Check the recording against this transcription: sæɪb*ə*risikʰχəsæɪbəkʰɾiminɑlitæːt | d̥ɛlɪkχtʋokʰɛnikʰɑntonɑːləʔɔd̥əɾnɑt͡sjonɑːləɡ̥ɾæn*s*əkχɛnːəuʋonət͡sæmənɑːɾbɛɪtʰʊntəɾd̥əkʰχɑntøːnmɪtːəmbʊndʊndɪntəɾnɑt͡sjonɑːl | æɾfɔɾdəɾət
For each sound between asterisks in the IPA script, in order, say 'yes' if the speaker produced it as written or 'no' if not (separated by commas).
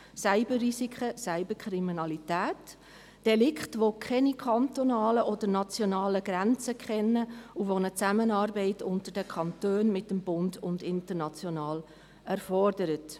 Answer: yes, no